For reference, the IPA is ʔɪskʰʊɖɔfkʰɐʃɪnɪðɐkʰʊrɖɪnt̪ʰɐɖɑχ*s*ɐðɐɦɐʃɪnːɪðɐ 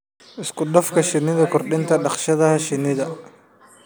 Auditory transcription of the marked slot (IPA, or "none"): ʃ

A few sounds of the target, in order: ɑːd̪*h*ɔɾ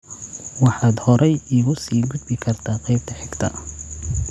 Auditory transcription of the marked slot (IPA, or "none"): h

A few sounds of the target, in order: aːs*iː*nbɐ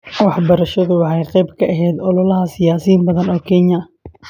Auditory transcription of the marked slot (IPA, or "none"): iː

